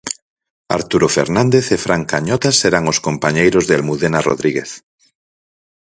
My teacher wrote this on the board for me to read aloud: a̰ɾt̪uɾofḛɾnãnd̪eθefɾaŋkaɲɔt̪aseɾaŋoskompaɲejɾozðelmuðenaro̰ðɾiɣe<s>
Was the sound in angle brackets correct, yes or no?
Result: no